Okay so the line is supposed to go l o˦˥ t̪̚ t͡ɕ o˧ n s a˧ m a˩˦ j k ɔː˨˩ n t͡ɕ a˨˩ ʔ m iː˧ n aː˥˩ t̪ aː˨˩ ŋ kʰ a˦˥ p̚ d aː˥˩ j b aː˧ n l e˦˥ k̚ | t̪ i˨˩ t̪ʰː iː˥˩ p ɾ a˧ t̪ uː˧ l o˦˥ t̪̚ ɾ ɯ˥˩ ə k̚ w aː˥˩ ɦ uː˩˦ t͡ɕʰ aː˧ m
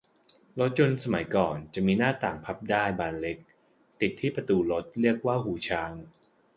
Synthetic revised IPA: l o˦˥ t̪̚ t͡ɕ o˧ n s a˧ m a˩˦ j k ɔː˨˩ n t͡ɕ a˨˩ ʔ m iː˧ n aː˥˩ t̪ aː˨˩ ŋ pʰ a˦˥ p̚ d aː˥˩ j b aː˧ n l e˦˥ k̚ | t̪ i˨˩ t̪ʰː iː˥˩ p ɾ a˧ t̪ uː˧ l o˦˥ t̪̚ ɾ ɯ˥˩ ə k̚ w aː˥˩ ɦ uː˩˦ t͡ɕʰ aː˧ ŋ